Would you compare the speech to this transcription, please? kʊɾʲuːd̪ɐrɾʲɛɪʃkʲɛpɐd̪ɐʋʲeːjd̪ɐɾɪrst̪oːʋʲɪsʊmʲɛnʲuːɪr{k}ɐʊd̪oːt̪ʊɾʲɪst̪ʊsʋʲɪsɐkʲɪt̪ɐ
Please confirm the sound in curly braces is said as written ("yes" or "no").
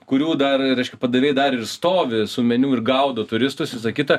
no